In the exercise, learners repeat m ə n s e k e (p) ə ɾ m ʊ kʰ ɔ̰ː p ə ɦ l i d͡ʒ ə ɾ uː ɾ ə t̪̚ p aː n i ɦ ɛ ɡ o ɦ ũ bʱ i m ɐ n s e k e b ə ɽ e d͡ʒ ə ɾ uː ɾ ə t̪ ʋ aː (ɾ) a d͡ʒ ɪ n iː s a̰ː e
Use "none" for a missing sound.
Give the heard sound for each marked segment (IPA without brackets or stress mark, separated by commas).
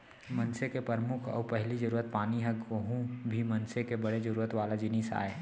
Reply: p, l